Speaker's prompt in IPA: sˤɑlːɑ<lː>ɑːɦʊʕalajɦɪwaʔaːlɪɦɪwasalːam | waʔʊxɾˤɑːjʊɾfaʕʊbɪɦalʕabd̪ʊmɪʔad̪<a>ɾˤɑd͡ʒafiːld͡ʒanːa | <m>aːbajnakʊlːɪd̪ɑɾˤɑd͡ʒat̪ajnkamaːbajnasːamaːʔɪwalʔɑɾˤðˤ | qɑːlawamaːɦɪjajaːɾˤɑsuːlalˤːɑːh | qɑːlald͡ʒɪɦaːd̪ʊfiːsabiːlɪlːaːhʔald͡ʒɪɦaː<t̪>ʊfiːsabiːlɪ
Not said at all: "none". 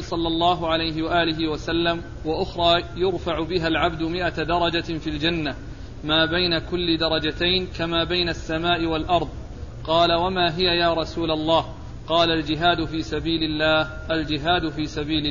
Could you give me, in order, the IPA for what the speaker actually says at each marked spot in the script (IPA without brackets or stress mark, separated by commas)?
lː, ɑ, m, d̪